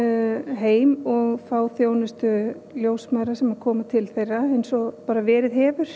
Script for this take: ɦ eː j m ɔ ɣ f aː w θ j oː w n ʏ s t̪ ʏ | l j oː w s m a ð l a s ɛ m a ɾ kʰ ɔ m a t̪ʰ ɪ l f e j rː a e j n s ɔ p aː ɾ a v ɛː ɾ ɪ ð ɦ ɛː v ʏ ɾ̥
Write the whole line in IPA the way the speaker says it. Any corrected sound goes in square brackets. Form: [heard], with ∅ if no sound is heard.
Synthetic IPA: ɦ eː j m ɔ ɣ f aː w θ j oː w n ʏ s t̪ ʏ | l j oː w s m a ð [ɾ] a s ɛ m a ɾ kʰ [ɔː] m a t̪ʰ ɪ l [θ] e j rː a e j n s ɔ p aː ɾ a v ɛː ɾ ɪ ð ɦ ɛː v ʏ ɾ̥